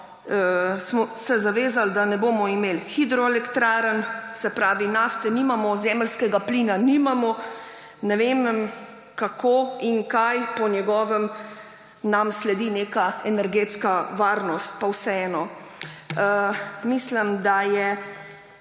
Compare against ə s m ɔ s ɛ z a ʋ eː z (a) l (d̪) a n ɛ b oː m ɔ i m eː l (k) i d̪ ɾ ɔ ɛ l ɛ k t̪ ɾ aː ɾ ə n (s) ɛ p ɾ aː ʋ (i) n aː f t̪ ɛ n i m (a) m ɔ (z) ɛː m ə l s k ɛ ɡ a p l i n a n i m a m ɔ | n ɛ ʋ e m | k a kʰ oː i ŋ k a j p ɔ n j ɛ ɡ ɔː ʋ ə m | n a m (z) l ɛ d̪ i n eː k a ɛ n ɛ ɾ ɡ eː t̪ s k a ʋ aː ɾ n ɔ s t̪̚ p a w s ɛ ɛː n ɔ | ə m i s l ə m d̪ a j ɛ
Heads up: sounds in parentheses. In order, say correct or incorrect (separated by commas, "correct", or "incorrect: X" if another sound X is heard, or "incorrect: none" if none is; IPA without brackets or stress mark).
correct, correct, incorrect: x, correct, correct, correct, correct, incorrect: s